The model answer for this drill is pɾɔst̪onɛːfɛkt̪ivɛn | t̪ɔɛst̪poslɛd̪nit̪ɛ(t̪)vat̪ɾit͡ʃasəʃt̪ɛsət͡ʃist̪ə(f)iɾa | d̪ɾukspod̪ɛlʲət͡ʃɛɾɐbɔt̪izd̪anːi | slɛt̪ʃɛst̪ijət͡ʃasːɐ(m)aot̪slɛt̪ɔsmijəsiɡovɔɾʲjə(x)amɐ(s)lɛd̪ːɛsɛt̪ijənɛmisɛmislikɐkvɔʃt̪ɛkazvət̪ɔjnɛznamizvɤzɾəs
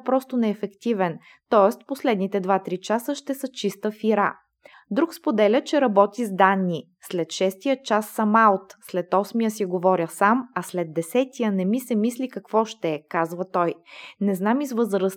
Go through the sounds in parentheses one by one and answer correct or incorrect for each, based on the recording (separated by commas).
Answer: incorrect, correct, correct, incorrect, correct